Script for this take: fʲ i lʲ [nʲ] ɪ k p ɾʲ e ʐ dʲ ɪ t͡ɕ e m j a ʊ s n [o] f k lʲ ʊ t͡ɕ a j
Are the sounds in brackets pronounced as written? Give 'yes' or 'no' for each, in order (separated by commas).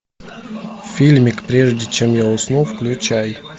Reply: no, no